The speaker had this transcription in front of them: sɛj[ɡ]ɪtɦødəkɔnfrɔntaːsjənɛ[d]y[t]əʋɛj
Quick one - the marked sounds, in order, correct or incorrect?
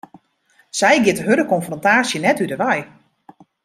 correct, incorrect, incorrect

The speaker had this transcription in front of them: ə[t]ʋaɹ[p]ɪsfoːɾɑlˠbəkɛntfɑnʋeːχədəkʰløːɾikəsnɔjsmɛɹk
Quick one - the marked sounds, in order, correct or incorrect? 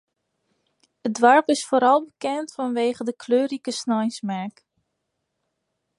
incorrect, correct

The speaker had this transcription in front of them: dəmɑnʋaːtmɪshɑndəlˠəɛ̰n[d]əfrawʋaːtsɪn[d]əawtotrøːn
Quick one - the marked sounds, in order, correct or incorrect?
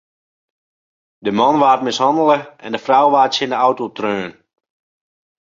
correct, correct

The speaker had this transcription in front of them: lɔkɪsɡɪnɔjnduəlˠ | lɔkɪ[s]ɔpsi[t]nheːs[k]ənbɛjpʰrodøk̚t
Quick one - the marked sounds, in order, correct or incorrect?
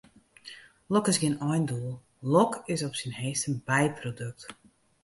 correct, incorrect, incorrect

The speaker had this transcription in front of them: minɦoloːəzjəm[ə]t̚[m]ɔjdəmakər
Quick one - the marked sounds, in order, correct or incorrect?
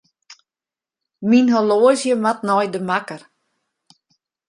incorrect, incorrect

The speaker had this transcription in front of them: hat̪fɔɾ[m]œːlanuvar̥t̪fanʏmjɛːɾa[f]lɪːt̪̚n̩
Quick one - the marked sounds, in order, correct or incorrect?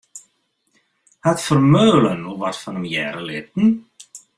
correct, incorrect

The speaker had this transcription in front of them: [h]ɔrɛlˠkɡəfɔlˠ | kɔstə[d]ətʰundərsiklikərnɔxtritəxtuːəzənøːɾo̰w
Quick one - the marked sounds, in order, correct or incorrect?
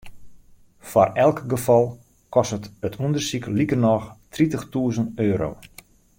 incorrect, incorrect

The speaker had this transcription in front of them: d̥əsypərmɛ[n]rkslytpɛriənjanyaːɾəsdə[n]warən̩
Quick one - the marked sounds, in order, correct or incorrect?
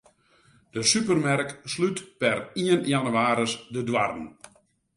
incorrect, incorrect

